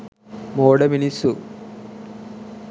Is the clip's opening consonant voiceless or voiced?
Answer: voiced